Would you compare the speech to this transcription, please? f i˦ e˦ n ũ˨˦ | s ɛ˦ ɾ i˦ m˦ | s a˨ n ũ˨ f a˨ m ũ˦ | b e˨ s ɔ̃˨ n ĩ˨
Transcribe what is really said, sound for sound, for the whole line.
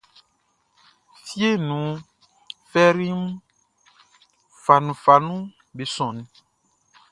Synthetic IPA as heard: f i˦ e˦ n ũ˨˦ | f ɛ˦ ɾ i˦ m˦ | f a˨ n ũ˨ f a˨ n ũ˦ | b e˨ s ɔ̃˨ n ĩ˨